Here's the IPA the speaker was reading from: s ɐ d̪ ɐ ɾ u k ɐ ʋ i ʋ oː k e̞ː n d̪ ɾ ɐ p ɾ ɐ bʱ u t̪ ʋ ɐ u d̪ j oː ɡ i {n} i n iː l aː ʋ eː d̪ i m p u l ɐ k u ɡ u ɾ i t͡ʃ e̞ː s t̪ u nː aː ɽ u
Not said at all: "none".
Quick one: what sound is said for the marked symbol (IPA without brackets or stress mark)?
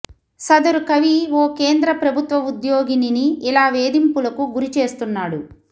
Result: n